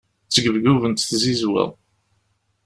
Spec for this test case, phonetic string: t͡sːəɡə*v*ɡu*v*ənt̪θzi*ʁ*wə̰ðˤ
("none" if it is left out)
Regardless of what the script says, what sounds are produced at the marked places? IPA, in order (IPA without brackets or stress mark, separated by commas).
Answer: v, v, z